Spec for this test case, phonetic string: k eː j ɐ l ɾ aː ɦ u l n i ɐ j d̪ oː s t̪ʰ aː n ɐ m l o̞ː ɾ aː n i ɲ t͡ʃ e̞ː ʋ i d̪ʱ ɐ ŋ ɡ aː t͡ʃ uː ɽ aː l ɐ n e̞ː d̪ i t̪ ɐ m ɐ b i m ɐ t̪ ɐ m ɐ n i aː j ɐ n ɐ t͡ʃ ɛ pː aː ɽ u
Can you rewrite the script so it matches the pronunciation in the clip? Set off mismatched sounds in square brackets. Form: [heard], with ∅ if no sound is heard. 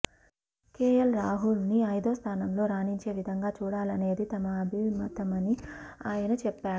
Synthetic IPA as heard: k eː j ɐ l ɾ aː ɦ u l n i ɐ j d̪ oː s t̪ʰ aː n ɐ m l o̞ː ɾ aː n i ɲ t͡ʃ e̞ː ʋ i d̪ʱ ɐ ŋ ɡ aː t͡ʃ uː ɽ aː l ɐ n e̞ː d̪ i t̪ ɐ m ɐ b i m ɐ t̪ ɐ m ɐ n i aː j ɐ n ɐ t͡ʃ ɛ pː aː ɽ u